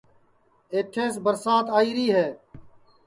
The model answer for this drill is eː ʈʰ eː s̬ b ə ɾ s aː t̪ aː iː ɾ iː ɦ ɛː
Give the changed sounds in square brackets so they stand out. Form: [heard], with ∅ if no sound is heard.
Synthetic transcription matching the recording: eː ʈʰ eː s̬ b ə ɾ s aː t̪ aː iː ɾ iː ɦ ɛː